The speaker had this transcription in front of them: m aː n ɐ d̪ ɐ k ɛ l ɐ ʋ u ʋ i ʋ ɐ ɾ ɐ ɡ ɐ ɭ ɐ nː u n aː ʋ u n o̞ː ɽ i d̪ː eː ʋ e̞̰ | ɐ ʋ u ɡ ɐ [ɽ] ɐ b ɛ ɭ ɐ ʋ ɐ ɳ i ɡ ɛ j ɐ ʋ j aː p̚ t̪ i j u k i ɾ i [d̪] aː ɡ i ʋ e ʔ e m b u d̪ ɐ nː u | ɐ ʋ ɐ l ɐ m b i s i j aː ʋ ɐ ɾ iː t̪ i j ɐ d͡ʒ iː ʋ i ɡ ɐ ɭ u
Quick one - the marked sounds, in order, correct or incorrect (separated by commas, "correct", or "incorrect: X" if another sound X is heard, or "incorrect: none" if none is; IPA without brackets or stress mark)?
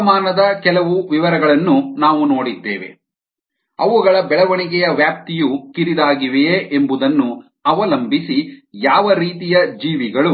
incorrect: ɭ, correct